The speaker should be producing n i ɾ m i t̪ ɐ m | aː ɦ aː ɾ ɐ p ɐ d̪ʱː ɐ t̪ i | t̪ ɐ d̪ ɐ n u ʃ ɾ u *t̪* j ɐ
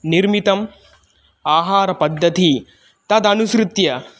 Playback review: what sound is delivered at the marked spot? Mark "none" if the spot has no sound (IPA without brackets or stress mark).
t̪